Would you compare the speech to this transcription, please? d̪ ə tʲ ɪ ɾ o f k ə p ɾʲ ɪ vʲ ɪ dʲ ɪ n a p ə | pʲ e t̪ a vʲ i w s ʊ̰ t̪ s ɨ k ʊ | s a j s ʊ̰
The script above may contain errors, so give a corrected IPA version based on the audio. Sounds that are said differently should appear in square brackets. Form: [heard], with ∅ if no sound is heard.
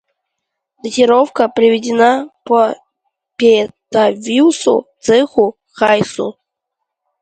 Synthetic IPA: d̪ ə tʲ ɪ ɾ o f k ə p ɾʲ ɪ vʲ ɪ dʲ ɪ n a p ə | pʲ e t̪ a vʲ i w s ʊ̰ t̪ s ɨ [x] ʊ | [x] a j s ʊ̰